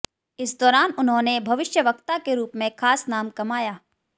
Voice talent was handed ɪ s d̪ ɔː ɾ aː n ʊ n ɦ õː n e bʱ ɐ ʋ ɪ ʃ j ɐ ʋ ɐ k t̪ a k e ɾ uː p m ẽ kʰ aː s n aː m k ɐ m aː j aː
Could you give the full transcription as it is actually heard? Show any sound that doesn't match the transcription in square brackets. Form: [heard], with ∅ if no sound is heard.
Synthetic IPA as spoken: ɪ s d̪ ɔː ɾ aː n ʊ n ɦ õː n e bʱ ɐ ʋ ɪ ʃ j [ə] ʋ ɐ k t̪ a k e ɾ uː p m ẽ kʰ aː s n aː m k ɐ m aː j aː